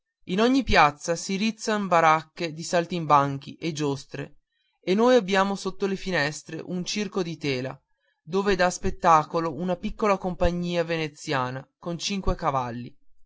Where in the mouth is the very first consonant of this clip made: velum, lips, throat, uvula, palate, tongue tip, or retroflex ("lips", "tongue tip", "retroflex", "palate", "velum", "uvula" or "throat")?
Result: tongue tip